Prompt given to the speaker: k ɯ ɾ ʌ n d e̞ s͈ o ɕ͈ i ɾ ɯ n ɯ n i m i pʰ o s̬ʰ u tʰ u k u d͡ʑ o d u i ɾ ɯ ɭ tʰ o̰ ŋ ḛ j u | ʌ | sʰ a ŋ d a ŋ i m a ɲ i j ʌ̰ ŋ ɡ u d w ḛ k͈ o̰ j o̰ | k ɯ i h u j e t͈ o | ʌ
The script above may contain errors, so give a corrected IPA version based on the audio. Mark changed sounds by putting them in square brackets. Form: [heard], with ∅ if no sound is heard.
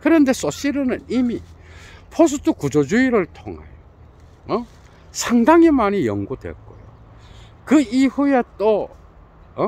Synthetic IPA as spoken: k ɯ ɾ ʌ n d e̞ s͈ o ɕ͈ i ɾ ɯ n ɯ n i m i pʰ o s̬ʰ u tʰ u k u d͡ʑ o [d͡ʑ] u i ɾ ɯ ɭ tʰ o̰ ŋ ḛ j [o] | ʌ | sʰ a ŋ d a ŋ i m a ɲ i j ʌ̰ ŋ ɡ u d w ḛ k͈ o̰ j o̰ | k ɯ i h u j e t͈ o | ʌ